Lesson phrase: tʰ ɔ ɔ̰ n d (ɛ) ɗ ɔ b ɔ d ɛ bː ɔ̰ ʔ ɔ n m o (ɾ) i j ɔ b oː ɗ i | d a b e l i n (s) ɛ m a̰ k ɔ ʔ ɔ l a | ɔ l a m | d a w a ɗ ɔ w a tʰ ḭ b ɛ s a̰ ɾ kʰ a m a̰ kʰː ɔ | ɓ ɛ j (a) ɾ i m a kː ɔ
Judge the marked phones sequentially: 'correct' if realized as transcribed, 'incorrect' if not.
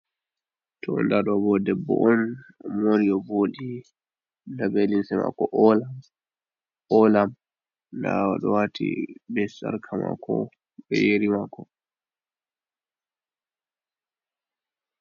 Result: incorrect, correct, correct, incorrect

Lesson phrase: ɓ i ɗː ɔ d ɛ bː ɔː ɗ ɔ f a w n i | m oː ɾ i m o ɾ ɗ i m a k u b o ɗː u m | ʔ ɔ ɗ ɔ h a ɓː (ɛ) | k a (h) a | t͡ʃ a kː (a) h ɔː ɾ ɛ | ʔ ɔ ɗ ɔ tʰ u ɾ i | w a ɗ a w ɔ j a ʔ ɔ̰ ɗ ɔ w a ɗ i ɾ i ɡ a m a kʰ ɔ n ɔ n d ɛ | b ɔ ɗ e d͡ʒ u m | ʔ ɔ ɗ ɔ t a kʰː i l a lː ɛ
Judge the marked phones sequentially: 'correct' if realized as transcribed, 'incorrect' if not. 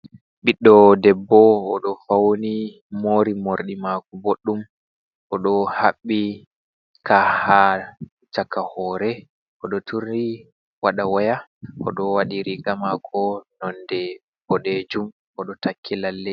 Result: incorrect, correct, correct

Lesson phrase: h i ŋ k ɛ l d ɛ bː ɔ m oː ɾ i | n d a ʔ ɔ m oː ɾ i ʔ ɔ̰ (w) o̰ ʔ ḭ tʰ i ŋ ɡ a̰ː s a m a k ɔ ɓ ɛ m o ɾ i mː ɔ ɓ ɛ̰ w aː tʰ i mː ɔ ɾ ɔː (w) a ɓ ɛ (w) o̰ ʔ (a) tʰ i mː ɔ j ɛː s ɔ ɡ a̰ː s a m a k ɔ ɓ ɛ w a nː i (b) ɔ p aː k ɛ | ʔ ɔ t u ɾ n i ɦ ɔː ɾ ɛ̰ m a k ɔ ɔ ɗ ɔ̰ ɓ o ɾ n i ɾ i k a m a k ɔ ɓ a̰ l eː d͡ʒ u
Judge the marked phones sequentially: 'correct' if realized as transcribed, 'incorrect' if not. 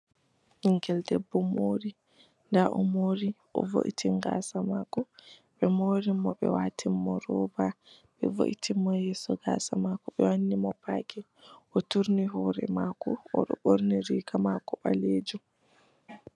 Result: incorrect, incorrect, incorrect, incorrect, incorrect

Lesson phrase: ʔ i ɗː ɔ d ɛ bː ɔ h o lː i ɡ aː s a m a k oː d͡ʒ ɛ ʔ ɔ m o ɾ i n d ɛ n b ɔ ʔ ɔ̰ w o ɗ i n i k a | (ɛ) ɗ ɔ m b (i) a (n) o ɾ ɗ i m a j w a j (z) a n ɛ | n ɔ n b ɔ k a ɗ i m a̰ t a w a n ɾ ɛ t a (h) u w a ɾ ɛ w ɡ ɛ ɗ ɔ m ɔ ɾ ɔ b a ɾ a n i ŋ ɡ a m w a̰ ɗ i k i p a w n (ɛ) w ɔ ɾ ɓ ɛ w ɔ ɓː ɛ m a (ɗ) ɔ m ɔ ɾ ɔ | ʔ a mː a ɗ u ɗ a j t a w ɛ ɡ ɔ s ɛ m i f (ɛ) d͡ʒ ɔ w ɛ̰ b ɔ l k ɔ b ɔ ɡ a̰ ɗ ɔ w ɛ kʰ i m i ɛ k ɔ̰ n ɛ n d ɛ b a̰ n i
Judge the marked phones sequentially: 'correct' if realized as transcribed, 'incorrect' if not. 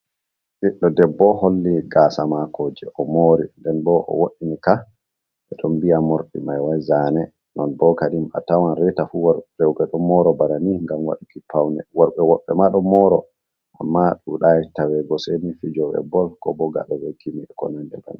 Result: correct, correct, incorrect, correct, incorrect, correct, correct, incorrect

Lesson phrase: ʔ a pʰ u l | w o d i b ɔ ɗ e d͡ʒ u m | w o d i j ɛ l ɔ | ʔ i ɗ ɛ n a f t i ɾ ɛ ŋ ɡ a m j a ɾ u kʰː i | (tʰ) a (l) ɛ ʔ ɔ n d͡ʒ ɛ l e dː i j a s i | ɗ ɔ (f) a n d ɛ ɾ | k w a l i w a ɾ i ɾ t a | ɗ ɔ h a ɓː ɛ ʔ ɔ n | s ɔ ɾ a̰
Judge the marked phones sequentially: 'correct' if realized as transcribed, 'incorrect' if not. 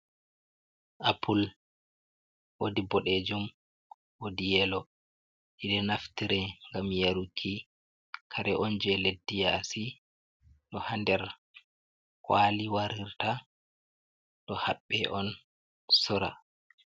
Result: incorrect, incorrect, incorrect

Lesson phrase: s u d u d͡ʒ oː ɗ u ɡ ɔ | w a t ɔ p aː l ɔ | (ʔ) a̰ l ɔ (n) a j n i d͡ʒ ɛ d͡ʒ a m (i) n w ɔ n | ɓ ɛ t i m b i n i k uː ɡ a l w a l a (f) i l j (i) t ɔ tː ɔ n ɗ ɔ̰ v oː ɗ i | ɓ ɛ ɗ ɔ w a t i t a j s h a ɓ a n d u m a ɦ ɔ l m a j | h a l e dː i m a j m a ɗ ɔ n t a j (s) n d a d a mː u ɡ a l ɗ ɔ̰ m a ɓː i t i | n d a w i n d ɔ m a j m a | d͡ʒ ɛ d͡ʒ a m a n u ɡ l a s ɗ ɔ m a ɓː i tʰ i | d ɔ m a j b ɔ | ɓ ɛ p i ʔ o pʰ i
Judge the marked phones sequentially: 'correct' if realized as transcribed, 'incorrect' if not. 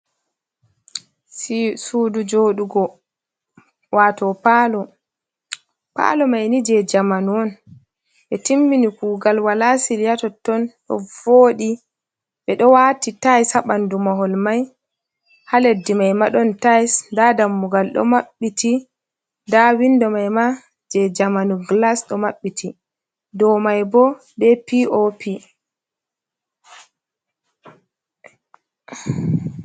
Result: incorrect, incorrect, incorrect, incorrect, incorrect, correct

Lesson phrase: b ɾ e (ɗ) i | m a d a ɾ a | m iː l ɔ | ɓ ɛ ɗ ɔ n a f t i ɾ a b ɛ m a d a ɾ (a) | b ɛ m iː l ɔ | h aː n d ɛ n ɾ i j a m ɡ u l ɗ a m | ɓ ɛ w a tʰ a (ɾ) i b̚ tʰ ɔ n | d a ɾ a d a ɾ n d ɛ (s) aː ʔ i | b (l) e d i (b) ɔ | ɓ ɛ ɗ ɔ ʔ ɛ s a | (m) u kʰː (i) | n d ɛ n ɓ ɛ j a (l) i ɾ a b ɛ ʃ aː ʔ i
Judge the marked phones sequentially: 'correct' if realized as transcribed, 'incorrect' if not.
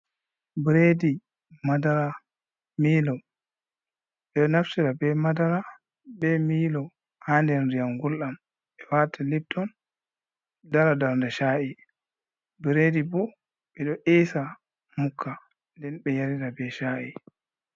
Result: incorrect, correct, incorrect, incorrect, incorrect, correct, correct, incorrect, incorrect

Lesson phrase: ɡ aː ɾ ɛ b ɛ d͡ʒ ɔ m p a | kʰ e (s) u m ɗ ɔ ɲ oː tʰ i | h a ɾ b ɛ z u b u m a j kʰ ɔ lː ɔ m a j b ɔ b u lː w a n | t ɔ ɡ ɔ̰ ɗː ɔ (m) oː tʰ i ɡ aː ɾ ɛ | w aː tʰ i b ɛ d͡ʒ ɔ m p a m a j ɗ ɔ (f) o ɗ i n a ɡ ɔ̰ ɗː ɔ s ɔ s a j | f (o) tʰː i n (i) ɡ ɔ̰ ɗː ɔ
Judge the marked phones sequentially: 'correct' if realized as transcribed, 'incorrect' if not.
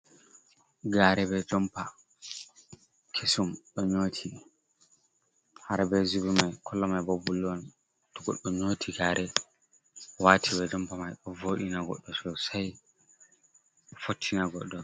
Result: correct, incorrect, incorrect, correct, incorrect

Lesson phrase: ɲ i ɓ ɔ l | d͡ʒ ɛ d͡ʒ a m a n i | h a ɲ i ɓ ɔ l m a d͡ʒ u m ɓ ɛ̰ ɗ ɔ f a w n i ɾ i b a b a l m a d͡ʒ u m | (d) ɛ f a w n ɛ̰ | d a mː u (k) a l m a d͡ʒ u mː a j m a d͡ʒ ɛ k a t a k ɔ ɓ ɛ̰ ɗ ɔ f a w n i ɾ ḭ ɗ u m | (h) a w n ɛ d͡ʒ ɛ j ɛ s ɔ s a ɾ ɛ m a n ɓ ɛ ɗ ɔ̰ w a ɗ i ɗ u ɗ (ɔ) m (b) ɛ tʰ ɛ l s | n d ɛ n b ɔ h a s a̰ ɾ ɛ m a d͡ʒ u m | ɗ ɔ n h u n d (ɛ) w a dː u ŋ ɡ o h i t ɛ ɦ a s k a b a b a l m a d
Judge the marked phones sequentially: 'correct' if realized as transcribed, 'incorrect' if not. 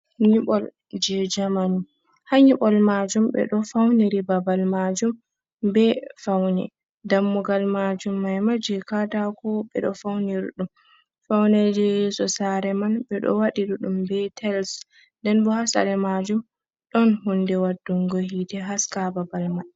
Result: incorrect, incorrect, incorrect, incorrect, correct, correct

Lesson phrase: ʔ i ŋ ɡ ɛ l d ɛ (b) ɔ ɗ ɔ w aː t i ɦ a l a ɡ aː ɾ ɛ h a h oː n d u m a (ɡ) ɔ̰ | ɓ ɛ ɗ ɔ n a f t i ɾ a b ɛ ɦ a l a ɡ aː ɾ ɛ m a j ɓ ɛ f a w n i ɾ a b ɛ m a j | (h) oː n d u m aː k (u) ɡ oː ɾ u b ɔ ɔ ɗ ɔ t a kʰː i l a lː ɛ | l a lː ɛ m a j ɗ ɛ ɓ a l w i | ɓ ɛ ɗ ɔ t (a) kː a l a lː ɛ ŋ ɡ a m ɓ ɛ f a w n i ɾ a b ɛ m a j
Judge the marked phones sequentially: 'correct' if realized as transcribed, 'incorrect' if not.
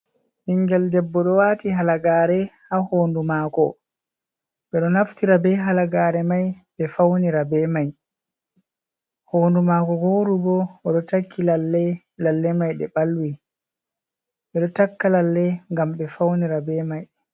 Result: incorrect, incorrect, correct, incorrect, correct

